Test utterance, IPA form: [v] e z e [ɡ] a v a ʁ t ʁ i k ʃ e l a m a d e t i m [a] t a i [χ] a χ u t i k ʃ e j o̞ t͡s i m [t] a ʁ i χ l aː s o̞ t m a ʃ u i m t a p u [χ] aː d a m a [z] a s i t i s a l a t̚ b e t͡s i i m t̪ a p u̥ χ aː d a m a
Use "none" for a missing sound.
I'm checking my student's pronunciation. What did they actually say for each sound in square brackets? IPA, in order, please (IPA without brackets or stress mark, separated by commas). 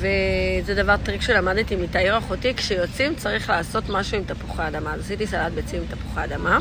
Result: v, d, i, ʁ, t͡s, χ, z